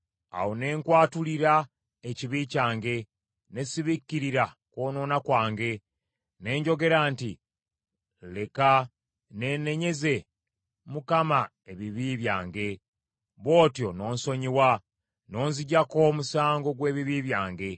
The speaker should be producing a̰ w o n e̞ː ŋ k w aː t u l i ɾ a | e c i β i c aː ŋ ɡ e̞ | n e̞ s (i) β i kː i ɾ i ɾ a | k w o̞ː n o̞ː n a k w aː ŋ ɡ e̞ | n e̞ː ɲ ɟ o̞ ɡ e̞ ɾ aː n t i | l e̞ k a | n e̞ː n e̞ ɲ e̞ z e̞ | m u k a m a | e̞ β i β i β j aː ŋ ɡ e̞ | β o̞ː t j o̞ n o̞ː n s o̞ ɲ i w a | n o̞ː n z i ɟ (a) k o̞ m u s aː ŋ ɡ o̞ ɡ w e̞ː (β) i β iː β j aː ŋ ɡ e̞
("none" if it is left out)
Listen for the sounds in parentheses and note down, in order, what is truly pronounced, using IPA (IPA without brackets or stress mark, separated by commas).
i, a, β